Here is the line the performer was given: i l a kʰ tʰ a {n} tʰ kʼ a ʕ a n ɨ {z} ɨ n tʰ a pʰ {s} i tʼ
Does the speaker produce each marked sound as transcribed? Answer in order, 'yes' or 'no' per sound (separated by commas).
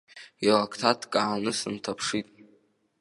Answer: no, no, no